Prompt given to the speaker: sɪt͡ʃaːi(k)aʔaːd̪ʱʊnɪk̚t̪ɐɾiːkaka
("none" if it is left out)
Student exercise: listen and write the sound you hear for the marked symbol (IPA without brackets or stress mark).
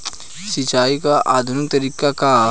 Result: k